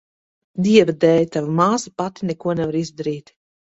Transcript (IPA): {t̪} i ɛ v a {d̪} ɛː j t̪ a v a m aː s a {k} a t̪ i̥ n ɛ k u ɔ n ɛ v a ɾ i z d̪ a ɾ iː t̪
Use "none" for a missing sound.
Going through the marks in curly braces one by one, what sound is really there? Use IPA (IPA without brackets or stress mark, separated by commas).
d̪, d̪, p